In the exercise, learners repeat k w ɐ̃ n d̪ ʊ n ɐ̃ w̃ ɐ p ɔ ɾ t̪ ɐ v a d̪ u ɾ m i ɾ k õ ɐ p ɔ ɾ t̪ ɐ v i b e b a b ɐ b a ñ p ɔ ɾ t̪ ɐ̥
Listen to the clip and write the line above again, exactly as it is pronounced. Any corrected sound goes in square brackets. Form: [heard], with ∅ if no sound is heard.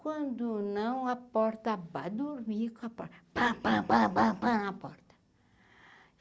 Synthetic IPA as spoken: k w ɐ̃ n d̪ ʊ n ɐ̃ w̃ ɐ p ɔ ɾ t̪ ɐ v a d̪ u ɾ m i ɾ k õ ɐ p ɔ ɾ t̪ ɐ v [a] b [a] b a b [a] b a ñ p ɔ ɾ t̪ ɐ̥